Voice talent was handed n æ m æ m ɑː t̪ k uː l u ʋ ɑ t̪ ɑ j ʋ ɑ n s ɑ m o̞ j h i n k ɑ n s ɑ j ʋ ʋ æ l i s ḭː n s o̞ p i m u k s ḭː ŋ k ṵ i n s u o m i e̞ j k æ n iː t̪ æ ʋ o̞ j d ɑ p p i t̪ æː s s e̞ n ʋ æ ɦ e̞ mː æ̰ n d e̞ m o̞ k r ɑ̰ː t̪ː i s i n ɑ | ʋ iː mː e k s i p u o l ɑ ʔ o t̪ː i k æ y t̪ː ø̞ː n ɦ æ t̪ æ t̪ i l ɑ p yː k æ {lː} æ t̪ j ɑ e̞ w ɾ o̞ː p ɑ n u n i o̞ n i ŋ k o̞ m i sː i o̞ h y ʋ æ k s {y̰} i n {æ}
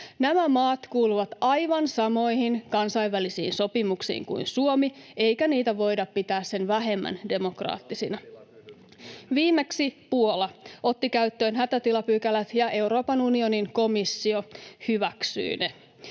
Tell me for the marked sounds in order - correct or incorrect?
incorrect: l, correct, incorrect: e

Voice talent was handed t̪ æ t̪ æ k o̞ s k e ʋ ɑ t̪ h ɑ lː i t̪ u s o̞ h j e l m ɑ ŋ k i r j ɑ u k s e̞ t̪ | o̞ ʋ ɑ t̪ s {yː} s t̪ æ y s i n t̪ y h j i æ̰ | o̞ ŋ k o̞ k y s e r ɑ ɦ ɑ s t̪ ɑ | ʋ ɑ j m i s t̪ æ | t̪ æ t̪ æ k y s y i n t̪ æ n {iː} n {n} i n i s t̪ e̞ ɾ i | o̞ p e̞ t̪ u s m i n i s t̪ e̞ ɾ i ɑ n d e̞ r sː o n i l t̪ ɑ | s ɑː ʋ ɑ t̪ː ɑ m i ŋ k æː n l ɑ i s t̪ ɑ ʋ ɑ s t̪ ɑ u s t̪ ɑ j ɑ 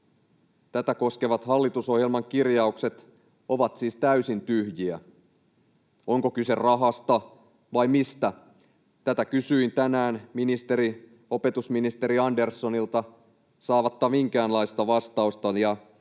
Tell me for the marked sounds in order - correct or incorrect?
incorrect: iː, incorrect: æː, incorrect: m

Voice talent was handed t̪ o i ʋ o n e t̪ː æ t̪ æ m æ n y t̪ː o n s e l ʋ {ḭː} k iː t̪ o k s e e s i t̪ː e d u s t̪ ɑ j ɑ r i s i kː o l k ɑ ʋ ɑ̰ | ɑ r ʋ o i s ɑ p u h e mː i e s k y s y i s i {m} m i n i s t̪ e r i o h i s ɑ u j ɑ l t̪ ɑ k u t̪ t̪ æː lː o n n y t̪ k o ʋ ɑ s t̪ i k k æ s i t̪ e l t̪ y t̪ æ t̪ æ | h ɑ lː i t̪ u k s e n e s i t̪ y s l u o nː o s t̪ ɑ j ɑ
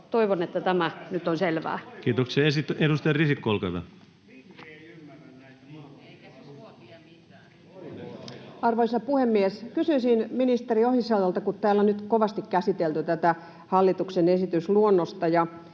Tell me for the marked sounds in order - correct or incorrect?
incorrect: æ̰ː, incorrect: n

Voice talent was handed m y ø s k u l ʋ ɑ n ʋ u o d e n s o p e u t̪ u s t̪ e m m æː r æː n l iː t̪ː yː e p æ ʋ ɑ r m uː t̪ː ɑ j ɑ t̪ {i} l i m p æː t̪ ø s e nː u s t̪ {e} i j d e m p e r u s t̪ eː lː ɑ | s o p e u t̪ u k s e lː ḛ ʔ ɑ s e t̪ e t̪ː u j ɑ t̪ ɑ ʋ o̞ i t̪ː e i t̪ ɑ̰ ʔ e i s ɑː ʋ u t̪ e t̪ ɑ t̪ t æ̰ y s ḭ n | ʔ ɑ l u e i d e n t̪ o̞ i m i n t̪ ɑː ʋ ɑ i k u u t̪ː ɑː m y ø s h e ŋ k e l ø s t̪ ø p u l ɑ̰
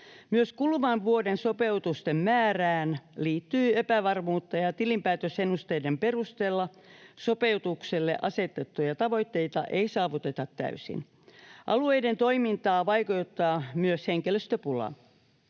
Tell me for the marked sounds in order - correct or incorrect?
correct, correct

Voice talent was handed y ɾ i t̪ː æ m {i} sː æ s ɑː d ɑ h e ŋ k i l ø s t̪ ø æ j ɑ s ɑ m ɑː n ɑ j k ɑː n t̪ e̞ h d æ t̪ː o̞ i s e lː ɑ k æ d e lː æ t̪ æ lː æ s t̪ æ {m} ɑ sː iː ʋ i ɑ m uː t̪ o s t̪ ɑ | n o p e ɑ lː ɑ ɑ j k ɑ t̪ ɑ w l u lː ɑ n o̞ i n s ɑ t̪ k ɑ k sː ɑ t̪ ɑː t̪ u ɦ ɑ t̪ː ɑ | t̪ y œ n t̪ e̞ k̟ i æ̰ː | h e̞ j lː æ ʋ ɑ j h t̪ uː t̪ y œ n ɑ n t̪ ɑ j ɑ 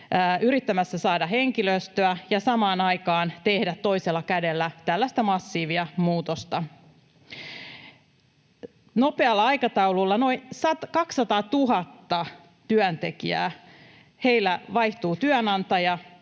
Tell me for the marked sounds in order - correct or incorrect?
incorrect: æ, correct

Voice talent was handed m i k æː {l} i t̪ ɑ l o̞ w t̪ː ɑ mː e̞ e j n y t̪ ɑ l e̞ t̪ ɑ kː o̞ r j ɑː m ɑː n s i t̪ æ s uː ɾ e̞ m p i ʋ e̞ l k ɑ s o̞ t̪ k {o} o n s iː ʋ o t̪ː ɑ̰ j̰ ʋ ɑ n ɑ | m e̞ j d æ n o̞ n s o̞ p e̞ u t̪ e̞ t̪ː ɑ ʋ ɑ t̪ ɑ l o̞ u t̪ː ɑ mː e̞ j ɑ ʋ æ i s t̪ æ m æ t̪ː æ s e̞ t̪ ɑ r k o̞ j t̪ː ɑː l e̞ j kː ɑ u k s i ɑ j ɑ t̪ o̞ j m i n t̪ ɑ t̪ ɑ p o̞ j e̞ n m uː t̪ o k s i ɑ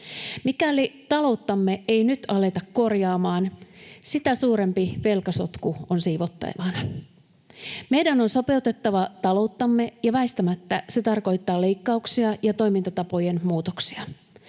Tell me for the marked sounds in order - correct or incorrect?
correct, incorrect: u

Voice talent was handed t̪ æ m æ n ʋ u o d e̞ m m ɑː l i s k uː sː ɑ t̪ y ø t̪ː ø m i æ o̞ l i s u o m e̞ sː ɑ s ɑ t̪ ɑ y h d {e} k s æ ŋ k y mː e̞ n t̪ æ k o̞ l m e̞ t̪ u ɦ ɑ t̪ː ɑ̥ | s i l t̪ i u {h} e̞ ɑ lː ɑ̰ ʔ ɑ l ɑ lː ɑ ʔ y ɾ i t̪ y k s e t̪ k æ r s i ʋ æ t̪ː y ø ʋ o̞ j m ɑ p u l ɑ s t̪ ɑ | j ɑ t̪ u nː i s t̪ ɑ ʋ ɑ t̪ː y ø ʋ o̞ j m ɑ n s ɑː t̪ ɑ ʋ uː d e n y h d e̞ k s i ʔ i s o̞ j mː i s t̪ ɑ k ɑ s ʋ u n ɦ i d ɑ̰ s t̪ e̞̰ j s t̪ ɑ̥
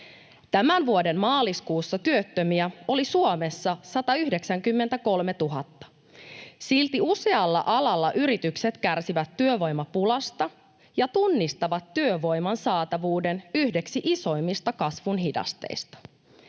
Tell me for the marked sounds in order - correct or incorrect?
correct, incorrect: s

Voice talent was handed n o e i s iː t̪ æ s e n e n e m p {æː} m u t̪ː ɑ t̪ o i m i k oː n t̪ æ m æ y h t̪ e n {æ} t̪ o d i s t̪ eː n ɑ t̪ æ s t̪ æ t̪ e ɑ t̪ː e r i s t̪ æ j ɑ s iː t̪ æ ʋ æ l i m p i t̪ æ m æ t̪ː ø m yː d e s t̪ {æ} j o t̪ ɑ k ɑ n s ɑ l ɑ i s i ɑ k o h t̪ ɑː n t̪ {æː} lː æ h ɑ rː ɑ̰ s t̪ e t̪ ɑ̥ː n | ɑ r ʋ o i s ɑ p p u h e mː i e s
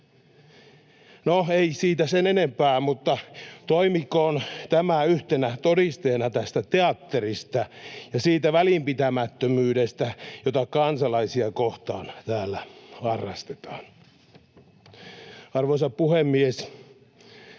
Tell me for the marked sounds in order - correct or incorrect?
correct, correct, correct, correct

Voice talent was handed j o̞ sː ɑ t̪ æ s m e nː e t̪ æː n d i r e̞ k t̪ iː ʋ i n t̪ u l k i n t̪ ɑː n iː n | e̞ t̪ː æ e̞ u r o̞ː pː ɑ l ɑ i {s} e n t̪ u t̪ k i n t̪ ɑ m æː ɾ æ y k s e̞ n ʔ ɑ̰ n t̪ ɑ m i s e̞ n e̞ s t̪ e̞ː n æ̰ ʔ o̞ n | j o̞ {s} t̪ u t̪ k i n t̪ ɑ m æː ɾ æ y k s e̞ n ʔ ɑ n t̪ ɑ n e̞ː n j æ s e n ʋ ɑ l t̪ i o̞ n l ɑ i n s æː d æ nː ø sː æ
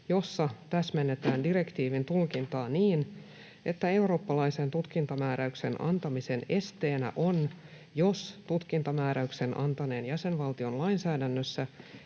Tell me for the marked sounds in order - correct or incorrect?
correct, correct

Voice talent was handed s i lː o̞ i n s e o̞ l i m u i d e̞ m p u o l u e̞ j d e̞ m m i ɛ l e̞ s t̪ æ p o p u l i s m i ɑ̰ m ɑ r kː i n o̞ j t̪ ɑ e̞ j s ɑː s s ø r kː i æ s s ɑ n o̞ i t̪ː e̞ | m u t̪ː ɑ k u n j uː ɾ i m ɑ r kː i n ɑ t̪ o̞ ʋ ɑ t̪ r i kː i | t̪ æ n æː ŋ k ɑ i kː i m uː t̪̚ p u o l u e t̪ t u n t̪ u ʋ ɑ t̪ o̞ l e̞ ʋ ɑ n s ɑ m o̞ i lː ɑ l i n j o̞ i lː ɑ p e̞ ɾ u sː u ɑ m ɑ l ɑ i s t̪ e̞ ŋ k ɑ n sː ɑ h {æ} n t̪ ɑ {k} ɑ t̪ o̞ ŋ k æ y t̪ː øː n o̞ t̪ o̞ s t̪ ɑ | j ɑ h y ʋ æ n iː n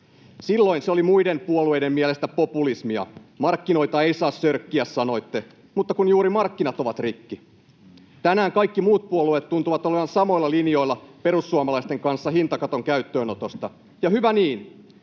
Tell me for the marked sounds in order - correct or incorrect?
incorrect: i, correct

